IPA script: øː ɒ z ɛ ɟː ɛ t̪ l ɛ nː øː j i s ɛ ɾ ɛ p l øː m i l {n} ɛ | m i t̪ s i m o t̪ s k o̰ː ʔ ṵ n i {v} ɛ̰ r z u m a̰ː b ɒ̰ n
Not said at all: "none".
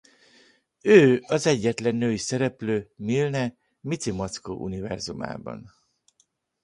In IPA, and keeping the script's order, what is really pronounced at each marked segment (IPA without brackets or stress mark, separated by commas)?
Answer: n, v